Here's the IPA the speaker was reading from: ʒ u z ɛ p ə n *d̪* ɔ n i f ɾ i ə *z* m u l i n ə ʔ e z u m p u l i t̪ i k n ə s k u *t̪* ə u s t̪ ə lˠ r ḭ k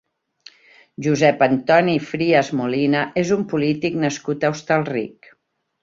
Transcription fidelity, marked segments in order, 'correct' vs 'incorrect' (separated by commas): incorrect, correct, correct